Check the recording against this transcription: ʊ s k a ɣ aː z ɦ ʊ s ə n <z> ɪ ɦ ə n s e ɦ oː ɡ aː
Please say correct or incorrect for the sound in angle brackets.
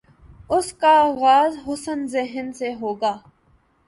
correct